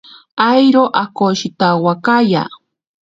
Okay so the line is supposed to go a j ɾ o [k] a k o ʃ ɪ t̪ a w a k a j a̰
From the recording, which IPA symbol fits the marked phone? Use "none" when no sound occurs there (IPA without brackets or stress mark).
ʔ